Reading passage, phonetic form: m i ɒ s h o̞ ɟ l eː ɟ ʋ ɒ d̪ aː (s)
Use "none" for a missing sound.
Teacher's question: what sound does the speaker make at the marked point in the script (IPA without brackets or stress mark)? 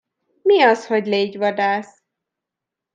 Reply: s